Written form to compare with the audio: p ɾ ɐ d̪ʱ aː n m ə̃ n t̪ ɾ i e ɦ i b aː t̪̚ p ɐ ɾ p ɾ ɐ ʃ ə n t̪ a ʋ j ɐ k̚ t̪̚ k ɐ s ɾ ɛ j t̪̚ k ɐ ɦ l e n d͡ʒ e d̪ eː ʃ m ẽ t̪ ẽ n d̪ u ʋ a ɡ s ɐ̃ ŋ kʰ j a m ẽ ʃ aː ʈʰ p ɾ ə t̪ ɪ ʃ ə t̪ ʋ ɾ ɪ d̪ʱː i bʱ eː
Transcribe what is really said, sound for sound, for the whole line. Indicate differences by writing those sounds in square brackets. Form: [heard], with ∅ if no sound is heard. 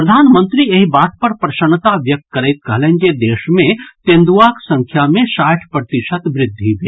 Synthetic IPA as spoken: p ɾ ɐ d̪ʱ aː n m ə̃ n t̪ ɾ i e ɦ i b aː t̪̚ p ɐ ɾ p ɾ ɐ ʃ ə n t̪ a ʋ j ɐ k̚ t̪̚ k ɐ [∅] ɾ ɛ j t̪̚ k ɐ ɦ l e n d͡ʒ e d̪ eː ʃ m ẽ t̪ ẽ n d̪ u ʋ a [k] s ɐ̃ ŋ kʰ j a m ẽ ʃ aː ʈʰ p ɾ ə t̪ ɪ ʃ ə t̪ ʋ ɾ ɪ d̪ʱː i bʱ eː